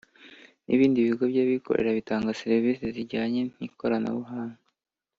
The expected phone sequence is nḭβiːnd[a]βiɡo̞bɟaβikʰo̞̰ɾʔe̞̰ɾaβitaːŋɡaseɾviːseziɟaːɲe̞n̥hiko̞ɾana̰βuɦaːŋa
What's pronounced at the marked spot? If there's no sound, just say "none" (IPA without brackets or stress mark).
i